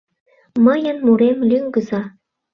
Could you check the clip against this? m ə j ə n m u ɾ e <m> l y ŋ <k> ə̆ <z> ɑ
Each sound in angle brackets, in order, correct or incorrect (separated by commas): correct, incorrect, correct